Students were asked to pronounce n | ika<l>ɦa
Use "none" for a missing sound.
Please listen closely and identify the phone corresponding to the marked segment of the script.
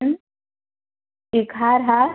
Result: ɾ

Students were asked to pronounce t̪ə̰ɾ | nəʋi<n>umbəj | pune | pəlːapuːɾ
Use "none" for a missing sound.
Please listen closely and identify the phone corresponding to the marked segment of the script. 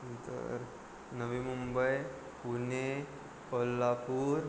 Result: m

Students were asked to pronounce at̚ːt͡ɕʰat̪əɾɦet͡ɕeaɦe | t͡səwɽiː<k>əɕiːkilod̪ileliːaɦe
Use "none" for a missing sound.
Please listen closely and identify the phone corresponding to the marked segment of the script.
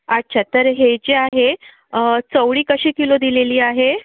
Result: k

